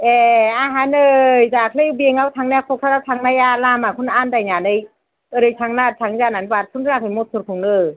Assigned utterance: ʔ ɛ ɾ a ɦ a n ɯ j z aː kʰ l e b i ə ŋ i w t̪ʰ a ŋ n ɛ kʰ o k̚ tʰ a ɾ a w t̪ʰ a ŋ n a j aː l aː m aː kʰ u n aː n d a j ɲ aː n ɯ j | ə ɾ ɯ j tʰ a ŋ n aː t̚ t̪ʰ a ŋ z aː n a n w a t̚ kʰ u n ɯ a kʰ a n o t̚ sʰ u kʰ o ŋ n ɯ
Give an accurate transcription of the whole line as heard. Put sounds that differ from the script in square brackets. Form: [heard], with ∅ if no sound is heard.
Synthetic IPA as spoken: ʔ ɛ [∅] a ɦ a n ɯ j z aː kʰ l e b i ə ŋ [a] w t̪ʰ a ŋ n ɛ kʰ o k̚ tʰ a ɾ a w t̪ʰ a ŋ n a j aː l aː m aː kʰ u n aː n d a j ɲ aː n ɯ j | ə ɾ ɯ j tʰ a ŋ n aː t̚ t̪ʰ a ŋ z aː n a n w a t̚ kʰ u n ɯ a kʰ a [m] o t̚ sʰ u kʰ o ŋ n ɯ

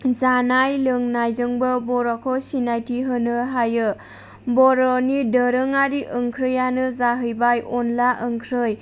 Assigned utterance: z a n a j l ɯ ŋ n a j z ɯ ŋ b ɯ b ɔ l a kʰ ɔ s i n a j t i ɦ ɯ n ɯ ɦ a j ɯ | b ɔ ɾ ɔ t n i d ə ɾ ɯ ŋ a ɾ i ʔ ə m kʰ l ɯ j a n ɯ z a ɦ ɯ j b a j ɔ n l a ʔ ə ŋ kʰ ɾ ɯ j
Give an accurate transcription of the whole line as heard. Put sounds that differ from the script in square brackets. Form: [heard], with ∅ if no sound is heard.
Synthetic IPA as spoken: z a n a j l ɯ ŋ n a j z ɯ ŋ b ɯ b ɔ [ɾ] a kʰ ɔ s i n a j t i ɦ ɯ n ɯ ɦ a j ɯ | b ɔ ɾ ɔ [∅] n i d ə ɾ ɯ ŋ a ɾ i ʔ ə [ŋ] kʰ [ɾ] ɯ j a n ɯ z a ɦ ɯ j b a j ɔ n l a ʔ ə ŋ kʰ ɾ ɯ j

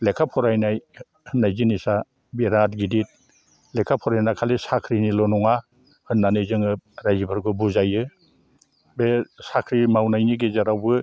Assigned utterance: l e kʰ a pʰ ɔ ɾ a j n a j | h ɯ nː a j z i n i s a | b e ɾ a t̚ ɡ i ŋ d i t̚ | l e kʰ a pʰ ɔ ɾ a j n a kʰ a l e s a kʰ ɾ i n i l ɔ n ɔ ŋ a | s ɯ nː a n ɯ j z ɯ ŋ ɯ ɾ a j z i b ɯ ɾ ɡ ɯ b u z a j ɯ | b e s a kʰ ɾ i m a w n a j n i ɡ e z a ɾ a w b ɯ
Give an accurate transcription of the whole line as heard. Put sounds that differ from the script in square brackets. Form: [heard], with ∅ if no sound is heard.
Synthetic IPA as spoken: l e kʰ a pʰ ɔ ɾ a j n a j | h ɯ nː a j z i n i s a | b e ɾ a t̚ ɡ i [∅] d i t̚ | l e kʰ a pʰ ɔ ɾ a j n a kʰ a l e s a kʰ ɾ i n i l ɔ n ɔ ŋ a | [h] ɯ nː a n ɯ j z ɯ ŋ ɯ ɾ a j z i b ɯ ɾ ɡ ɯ b u z a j ɯ | b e s a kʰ ɾ i m a w n a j n i ɡ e z a ɾ a w b ɯ

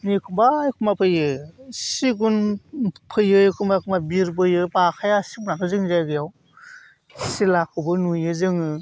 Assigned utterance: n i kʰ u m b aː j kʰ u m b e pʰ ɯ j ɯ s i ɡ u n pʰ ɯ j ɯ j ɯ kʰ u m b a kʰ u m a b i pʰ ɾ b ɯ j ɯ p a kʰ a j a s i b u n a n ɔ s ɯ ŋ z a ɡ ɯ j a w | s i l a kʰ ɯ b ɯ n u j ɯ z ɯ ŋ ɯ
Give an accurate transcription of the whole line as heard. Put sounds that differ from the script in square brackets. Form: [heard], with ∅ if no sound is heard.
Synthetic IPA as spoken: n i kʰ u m b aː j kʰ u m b [a] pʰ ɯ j ɯ s i ɡ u n pʰ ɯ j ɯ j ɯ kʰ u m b a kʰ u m a b i [∅] ɾ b ɯ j ɯ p a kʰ a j a s i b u n a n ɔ [z] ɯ ŋ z a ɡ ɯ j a w | s i l a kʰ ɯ b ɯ n u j ɯ z ɯ ŋ ɯ

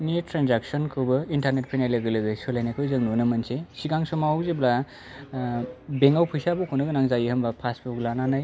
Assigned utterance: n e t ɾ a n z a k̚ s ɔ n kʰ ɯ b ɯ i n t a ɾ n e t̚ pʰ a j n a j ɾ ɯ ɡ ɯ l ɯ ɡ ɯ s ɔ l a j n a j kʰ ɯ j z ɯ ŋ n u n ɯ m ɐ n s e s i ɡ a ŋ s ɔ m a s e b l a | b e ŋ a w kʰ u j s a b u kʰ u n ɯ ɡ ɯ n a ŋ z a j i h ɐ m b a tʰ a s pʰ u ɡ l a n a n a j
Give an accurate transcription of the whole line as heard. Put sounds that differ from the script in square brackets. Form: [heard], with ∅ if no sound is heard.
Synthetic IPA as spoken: n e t ɾ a n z a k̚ s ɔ n kʰ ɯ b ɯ i n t a ɾ n e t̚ pʰ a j n a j [l] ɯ ɡ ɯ l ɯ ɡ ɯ s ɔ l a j n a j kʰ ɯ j z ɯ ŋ n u n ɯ m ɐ n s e s i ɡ a ŋ s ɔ m a [z] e b l a | b e ŋ a w [pʰ] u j s a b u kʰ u n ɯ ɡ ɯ n a ŋ z a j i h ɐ m b a [pʰ] a s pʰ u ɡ l a n a n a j

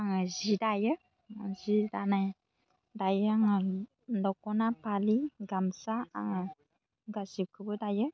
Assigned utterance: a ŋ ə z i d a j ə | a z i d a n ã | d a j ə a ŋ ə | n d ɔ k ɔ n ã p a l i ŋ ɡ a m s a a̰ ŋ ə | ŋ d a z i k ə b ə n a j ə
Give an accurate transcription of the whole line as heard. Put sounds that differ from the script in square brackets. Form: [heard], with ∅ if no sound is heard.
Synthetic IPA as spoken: a ŋ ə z i d a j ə | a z i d a n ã | d a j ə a ŋ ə | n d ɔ k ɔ n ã p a l i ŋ ɡ a m s a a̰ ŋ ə | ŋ [ɡ] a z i k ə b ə [d] a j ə

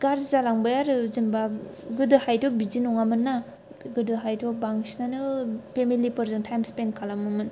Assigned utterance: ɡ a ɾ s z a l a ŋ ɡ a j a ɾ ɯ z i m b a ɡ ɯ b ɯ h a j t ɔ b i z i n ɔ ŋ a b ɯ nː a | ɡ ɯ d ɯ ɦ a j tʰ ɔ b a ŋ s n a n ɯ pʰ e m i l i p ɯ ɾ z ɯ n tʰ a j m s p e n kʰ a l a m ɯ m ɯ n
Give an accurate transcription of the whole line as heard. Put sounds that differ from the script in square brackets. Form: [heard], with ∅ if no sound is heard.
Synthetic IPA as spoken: ɡ a ɾ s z a l a ŋ [b] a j a ɾ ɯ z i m b a ɡ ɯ [d] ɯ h a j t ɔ b i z i n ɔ ŋ a [m] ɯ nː a | ɡ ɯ d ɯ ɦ a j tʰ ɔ b a ŋ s n a n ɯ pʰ e m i l i p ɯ ɾ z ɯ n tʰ a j m s p e n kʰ a l a m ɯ m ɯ n

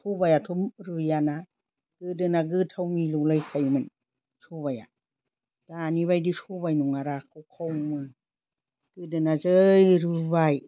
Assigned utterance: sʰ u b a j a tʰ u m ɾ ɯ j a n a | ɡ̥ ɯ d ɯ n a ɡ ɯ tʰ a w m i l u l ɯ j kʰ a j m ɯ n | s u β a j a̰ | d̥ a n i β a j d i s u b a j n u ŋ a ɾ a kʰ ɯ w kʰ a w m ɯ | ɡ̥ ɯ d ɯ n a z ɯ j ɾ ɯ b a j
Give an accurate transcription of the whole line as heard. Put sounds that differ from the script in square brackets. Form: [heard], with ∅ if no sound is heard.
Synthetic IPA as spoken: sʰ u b a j a tʰ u m ɾ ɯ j a n a | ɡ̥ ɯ d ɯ n a ɡ ɯ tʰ a w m i l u l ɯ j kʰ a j m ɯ n | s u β a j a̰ | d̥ a n i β a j d i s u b a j n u ŋ a ɾ a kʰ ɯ w kʰ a w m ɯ | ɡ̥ ɯ d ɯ n a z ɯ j ɾ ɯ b a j

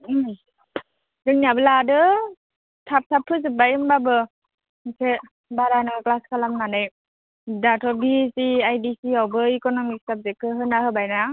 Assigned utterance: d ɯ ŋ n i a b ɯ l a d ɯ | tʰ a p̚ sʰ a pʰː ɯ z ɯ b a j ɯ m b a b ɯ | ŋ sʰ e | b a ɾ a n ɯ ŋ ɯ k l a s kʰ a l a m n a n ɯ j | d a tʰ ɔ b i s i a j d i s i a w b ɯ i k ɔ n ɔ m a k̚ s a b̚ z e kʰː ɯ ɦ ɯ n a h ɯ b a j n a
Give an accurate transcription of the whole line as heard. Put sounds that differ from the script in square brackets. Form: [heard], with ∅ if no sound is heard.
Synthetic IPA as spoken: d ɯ ŋ n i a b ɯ l a d ɯ | tʰ a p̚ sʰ a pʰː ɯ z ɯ b a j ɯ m b a b ɯ | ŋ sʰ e | b a ɾ a n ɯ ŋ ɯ k l a s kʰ a l a m n a n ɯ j | d a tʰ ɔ b i s i a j d i s i a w b ɯ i k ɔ n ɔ m [i] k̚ s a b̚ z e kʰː ɯ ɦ ɯ n a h ɯ b a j n a

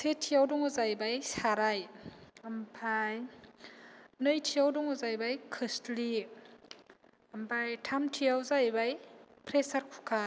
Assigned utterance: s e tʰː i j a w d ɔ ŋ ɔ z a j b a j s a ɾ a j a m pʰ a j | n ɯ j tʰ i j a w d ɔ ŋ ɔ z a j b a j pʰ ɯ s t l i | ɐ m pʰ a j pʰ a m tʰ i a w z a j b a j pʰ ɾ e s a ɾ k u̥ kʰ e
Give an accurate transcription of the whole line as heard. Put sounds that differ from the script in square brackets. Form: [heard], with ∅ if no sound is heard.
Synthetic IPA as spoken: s e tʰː i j a w d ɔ ŋ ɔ z a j b a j s a ɾ a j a m pʰ a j | n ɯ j tʰ i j a w d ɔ ŋ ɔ z a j b a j [kʰ] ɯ s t l i | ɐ m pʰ a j [tʰ] a m tʰ i a w z a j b a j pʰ ɾ e s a ɾ [kʰ] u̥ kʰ [a]

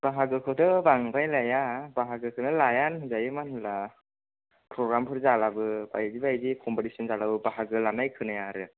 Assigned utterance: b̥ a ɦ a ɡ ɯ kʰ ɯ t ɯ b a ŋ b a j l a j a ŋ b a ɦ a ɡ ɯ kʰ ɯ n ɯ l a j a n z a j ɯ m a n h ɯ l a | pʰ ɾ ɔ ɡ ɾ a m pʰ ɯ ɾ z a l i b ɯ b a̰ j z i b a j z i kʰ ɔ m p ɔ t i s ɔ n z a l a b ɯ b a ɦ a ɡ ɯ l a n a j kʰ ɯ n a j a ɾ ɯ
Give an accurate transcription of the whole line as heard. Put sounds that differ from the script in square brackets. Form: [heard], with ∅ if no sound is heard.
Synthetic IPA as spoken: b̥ a ɦ a ɡ ɯ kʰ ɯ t ɯ b a ŋ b a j l a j a [∅] b a ɦ a ɡ ɯ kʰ ɯ n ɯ l a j a n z a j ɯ m a n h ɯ l a | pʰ ɾ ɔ ɡ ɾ a m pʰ ɯ ɾ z a l [a] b ɯ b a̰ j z i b a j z i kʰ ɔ m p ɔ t i s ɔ n z a l a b ɯ b a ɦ a ɡ ɯ l a n a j kʰ ɯ n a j a ɾ ɯ

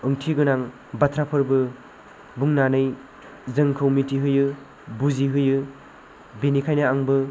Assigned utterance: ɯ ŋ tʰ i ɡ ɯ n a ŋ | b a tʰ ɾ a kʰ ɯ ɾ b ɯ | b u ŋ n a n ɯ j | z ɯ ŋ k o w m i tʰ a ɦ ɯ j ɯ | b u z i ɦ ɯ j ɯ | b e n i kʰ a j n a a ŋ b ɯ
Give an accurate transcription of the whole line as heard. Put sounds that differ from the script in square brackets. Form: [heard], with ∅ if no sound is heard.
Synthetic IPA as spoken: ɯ ŋ tʰ i ɡ ɯ n a ŋ | b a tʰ ɾ a [pʰ] ɯ ɾ b ɯ | b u ŋ n a n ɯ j | z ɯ ŋ [kʰ] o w m i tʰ [i] ɦ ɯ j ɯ | b u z i ɦ ɯ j ɯ | b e n i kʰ a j n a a ŋ b ɯ

